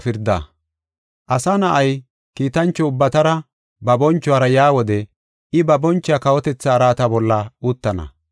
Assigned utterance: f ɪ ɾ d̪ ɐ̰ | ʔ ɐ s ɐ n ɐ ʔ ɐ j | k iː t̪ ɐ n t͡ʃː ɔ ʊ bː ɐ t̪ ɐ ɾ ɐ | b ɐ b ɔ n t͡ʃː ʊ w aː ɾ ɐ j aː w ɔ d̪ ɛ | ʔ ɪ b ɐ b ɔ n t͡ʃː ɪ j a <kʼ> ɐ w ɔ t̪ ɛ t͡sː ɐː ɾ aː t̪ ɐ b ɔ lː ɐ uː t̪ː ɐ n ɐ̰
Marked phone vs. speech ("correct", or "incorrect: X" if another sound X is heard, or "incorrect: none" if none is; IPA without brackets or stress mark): incorrect: k